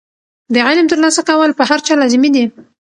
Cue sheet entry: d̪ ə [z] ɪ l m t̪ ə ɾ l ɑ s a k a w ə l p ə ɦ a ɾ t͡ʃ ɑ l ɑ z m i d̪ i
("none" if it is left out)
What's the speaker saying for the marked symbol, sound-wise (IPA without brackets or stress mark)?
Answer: ʕ